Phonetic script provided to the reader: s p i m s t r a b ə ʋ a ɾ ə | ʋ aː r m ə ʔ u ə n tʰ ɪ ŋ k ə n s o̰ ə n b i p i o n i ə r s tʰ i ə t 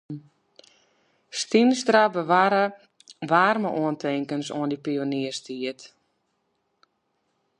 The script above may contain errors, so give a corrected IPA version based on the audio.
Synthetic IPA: s t i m s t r a b ə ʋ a ɾ ə | ʋ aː r m ə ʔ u ə n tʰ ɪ ŋ k ə n s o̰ ə n d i p i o n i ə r s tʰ i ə t